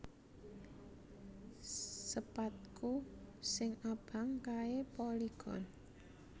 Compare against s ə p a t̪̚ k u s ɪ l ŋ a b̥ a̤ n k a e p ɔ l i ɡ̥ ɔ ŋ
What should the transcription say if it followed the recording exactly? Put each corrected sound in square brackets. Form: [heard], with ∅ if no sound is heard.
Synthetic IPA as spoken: s ə p a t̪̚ k u s ɪ [∅] ŋ a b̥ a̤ [ŋ] k a e p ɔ l i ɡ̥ ɔ [n]

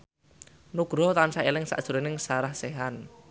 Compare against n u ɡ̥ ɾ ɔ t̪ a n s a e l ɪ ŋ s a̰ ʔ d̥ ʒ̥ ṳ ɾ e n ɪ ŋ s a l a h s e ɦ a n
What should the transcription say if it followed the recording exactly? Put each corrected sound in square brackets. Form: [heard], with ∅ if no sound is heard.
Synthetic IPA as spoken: n u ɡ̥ ɾ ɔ t̪ a n s a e l ɪ ŋ s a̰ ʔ d̥ ʒ̥ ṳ ɾ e n ɪ ŋ s a [ɾ] a h s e ɦ a n

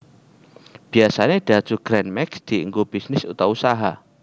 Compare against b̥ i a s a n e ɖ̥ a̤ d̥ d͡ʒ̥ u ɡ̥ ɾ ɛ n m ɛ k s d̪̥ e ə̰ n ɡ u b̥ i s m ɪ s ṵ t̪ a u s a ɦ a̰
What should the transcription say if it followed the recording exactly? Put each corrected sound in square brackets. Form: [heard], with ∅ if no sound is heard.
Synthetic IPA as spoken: b̥ i a s a n e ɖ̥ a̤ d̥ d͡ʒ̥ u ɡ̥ ɾ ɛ n m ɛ k s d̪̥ [i] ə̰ [ŋ] ɡ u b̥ i s [n] ɪ s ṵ t̪ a u s a ɦ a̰

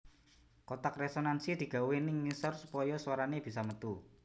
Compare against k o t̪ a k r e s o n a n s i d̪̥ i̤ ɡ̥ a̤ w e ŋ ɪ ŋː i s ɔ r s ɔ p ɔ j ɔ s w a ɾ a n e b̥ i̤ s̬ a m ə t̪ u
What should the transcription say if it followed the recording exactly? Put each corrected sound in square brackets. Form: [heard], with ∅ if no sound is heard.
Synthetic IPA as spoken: k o t̪ a k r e s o n a n s i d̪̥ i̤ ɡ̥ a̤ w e [n] ɪ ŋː i s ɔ r s [u] p ɔ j ɔ s w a ɾ a n e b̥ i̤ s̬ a m ə t̪ u

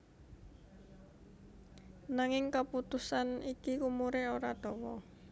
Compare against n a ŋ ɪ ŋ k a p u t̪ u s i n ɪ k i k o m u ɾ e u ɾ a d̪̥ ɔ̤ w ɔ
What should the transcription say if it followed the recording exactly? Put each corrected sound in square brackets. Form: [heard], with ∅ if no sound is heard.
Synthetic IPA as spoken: n a ŋ ɪ ŋ k a p u t̪ u s [a] n [i] k i k [u] m u ɾ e [o] ɾ a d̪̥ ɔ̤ w ɔ

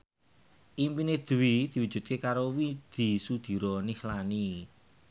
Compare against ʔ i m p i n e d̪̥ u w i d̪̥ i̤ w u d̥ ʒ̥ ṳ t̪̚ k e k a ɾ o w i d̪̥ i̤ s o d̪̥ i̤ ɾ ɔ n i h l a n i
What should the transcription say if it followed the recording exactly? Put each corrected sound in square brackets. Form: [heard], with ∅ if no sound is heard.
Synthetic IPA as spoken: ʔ i m p i n e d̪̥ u w i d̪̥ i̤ w u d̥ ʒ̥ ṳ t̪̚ k e k a ɾ o w i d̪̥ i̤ s [u] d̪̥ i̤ ɾ ɔ n i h l a n i

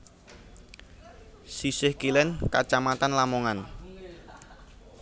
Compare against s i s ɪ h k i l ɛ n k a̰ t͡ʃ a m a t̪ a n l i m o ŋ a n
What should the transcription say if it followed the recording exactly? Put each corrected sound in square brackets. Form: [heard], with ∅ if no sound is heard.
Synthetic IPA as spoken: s i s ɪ h k i l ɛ n k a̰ t͡ʃ a m a t̪ a n l [a] m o ŋ a n

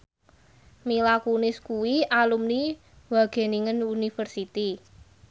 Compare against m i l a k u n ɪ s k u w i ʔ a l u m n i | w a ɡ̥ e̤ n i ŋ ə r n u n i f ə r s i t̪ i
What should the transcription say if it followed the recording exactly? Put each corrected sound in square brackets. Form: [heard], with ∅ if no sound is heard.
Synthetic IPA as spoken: m i l a k u n ɪ s k u w i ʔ a l u m n i | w a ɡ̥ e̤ n i ŋ ə [∅] n u n i f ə r s i t̪ i

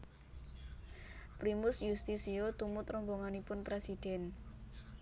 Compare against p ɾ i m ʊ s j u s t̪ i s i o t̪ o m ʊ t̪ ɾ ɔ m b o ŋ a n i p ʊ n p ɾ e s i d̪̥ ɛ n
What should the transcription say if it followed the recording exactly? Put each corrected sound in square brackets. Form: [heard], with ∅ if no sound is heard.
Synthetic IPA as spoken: p ɾ i m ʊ s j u s t̪ i s i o t̪ [u] m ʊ t̪ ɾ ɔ m b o ŋ a n i p ʊ n p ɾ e s i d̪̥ ɛ n

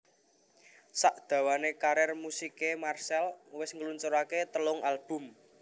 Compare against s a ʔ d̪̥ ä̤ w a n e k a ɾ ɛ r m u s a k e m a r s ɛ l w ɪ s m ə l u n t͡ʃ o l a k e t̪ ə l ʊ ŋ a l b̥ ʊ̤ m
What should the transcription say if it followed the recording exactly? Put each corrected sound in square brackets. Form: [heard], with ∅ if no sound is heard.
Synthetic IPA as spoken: s a ʔ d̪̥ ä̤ w a n e k a ɾ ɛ r m u s [i] k e m a r s ɛ l w ɪ s [ŋ] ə l u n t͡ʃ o [ɾ] a k e t̪ ə l ʊ ŋ a l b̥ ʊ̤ m

